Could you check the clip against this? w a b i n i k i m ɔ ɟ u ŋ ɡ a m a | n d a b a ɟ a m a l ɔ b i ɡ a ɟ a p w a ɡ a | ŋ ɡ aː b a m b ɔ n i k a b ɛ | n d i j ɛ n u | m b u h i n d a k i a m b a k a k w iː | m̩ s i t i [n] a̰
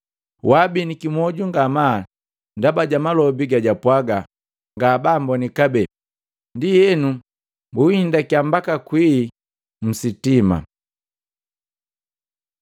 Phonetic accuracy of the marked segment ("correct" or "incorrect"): incorrect